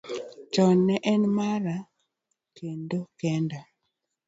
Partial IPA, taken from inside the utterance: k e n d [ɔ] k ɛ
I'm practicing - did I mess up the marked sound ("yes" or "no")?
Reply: yes